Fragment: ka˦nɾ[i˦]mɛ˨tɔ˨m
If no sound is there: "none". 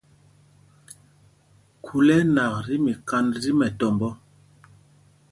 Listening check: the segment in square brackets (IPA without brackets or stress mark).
i˦